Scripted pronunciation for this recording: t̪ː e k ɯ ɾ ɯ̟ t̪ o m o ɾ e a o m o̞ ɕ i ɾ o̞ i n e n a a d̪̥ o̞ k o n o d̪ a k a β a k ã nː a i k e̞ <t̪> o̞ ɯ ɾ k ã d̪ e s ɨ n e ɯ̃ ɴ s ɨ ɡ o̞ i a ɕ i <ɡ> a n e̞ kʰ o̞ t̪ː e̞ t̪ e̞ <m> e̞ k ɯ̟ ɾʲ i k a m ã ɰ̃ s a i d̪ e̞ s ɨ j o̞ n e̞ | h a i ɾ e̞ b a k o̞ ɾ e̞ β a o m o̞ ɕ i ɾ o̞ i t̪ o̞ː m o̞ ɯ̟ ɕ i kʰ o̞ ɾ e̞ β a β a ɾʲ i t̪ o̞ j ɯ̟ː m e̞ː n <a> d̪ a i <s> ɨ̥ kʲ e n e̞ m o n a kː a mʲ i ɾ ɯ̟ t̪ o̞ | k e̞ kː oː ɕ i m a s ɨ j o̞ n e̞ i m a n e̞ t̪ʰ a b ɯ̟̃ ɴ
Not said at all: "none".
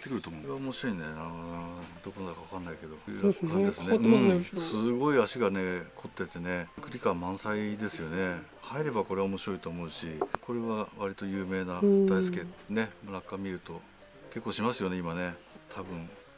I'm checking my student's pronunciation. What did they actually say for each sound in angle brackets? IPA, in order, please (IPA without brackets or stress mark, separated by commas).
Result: d̪, ɡ, n, a, s